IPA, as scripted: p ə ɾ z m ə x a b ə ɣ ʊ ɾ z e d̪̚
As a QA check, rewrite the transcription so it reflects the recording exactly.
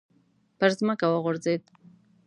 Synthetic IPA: p ə ɾ z m ə k a w ə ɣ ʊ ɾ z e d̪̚